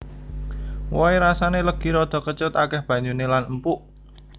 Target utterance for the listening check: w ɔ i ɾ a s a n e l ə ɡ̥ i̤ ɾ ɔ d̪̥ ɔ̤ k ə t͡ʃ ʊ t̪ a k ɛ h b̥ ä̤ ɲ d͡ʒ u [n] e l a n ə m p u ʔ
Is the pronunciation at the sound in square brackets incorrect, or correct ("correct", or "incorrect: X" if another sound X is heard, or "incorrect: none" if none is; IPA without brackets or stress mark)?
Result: correct